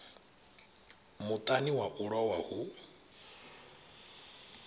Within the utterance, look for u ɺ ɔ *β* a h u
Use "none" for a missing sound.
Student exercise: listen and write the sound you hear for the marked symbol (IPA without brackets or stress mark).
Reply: w